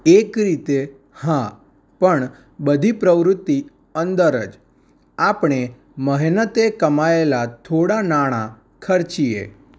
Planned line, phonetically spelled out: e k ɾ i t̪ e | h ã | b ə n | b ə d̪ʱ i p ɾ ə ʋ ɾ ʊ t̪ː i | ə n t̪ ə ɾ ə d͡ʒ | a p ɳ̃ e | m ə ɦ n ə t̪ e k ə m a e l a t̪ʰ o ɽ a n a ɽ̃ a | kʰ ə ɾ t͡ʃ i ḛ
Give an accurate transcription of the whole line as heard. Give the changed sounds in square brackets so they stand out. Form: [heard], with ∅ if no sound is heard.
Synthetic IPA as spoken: e k ɾ i t̪ e | h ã | [p] ə [ɳ] | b ə d̪ʱ i p ɾ ə ʋ ɾ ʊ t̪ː i | ə n [d̪] ə ɾ ə d͡ʒ | a p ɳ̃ e | m ə ɦ n ə t̪ e k ə m a e l a t̪ʰ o ɽ a n a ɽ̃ a | kʰ ə ɾ t͡ʃ i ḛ